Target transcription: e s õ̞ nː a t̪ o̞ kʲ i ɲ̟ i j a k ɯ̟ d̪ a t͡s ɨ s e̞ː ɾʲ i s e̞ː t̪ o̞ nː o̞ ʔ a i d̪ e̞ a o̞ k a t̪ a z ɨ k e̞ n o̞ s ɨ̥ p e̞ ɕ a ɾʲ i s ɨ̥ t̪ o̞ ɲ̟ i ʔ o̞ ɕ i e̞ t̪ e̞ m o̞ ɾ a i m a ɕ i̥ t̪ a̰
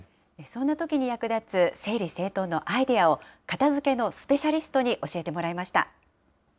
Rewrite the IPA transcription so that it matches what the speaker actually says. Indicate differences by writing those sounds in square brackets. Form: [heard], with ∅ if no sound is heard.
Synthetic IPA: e s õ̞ nː a t̪ o̞ kʲ i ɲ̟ i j a k ɯ̟ d̪ a t͡s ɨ s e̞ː ɾʲ i s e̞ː t̪ o̞ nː o̞ ʔ a i d̪ e̞ a o̞ k a t̪ a z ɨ k e̞ n o̞ s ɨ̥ p e̞ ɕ a ɾʲ i s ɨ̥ t̪ o̞ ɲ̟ i ʔ o̞ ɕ i e̞ t̪ e̞ m o̞ ɾ a i m a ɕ i̥ t̪ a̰